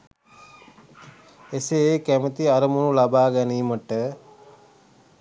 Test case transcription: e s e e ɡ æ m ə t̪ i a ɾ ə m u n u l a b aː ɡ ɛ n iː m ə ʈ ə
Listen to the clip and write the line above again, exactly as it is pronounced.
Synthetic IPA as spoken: e s e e k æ m ə t̪ i a ɾ ə m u n u l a b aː ɡ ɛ n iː m ə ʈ ə